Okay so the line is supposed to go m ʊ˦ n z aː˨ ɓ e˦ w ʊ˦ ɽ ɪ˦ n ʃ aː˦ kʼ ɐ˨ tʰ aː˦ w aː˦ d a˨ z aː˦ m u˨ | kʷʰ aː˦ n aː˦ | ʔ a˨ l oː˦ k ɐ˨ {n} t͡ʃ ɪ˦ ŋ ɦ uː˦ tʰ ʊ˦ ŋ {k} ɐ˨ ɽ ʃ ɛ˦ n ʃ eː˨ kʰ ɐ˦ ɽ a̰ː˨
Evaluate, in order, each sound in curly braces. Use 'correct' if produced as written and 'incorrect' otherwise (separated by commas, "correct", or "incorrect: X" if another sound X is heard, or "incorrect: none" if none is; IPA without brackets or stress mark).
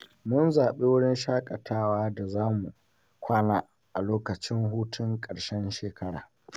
incorrect: none, incorrect: kʼ